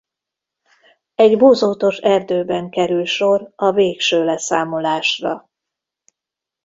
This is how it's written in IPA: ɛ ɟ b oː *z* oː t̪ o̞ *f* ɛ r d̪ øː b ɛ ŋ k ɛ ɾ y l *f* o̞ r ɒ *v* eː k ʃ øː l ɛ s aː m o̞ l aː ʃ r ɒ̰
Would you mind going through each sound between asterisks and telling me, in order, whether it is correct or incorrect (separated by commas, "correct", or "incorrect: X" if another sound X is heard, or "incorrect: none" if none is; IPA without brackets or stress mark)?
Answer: correct, incorrect: ʃ, incorrect: ʃ, correct